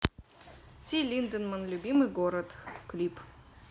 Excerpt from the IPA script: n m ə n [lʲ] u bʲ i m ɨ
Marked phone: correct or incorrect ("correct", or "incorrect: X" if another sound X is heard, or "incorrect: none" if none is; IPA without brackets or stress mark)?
correct